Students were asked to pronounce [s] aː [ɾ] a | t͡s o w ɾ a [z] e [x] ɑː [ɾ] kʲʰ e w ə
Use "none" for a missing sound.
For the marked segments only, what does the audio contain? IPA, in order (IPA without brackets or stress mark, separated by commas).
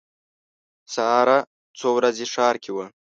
s, ɾ, z, ʂ, ɾ